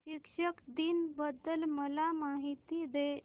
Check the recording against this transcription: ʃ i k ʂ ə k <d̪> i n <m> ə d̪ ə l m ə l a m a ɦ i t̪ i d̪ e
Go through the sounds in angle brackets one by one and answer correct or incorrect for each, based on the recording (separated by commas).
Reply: correct, incorrect